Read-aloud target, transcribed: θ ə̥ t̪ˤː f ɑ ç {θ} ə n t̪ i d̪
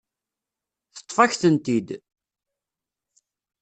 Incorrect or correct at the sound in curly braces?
correct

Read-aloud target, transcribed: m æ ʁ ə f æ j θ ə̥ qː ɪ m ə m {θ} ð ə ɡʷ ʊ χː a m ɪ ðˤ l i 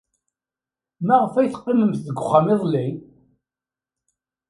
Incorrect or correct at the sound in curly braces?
correct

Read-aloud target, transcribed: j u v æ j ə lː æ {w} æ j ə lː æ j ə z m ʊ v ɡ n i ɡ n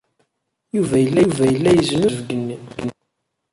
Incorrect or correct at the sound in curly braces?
incorrect: v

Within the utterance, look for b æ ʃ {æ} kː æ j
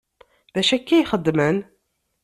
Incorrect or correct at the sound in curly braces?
correct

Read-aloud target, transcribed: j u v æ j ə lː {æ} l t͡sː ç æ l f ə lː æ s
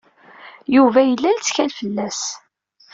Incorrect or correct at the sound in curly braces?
correct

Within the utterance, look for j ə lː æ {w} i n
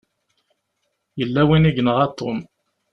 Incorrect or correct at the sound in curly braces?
correct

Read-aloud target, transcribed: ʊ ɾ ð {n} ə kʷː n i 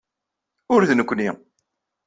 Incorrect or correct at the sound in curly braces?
correct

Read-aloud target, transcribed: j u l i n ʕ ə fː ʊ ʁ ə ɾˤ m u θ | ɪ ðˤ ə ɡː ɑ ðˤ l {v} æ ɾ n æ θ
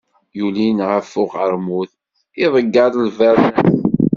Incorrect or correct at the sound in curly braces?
correct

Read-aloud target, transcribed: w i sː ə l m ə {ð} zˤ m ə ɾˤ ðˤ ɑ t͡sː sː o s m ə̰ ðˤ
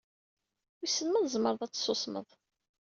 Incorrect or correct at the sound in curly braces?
correct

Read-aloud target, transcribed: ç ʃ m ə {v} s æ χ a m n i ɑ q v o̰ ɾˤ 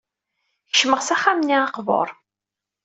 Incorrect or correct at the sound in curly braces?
incorrect: ʁ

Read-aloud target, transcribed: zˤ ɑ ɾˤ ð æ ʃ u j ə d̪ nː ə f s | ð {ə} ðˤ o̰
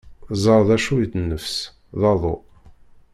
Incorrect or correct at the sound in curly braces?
incorrect: ɑ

